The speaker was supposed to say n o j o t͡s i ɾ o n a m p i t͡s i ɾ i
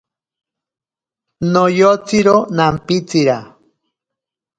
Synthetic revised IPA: n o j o t͡s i ɾ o n a m p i t͡s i ɾ a